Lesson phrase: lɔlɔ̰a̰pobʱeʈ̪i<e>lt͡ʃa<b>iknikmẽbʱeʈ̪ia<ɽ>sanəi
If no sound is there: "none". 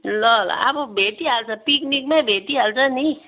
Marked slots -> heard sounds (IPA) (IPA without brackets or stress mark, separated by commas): a, p, l